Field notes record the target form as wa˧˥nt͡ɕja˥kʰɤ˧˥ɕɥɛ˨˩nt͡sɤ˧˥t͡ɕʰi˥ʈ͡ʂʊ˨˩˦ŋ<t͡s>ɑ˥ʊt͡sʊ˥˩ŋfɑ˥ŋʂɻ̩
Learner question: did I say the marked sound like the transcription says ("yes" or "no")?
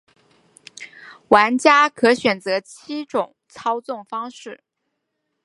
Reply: no